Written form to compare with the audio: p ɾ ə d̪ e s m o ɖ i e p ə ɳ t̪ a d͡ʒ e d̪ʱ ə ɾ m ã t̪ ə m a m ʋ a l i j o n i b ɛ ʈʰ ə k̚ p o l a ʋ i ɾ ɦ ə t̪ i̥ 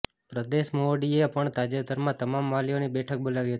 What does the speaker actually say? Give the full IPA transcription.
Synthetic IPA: p ɾ ə d̪ e ʃ m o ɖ i e p ə ɳ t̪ a d͡ʒ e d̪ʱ ə ɾ m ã t̪ ə m a m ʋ a l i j o n i b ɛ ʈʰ ə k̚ b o l a ʋ i ɦ ə t̪ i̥